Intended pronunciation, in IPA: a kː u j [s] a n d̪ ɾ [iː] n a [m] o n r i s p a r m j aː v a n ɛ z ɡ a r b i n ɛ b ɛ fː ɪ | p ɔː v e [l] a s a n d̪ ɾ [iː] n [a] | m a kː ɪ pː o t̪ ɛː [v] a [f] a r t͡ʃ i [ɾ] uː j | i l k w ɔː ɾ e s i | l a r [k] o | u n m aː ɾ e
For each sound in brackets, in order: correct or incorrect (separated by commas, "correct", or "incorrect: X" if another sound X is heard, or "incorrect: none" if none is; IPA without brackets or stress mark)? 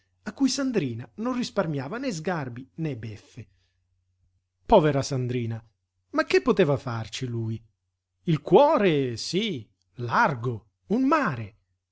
correct, correct, incorrect: n, incorrect: ɾ, correct, correct, correct, correct, incorrect: l, incorrect: ɡ